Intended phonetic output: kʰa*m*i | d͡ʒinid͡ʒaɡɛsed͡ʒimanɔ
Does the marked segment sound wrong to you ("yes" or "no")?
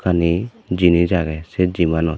yes